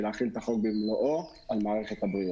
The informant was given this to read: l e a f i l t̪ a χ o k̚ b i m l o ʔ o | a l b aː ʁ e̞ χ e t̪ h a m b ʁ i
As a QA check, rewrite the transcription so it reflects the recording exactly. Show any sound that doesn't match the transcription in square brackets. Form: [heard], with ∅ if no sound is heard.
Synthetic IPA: l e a [χ] i l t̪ a χ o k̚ b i m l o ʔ o | a l [m] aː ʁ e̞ χ e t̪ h a [∅] b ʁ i